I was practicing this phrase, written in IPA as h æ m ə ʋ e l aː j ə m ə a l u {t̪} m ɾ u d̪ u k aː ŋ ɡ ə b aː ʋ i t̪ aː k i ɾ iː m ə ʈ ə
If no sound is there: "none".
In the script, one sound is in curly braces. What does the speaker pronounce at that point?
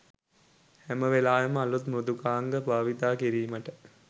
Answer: t̪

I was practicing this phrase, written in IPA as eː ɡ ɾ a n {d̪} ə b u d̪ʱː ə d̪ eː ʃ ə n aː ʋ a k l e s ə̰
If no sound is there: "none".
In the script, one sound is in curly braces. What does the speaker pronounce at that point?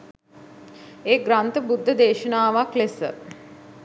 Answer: t̪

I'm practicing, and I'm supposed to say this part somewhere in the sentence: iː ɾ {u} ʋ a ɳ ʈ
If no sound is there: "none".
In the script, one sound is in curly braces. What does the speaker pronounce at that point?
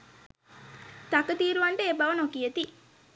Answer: u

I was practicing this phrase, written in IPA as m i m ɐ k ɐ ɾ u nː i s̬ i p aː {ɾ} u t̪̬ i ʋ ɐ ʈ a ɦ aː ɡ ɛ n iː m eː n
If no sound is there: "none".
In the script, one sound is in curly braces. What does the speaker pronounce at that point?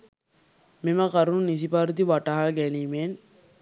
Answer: ɾ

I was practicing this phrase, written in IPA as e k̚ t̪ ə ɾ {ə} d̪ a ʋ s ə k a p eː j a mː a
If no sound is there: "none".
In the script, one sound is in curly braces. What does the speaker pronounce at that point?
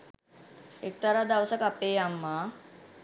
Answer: a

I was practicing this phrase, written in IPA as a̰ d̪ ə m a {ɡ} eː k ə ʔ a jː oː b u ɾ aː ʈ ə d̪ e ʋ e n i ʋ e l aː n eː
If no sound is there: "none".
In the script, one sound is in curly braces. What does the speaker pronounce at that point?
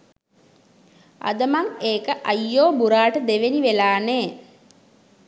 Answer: ŋ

